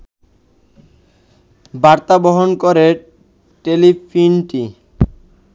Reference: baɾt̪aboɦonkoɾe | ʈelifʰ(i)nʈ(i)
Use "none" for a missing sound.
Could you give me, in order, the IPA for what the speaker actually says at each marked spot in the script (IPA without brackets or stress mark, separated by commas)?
i, i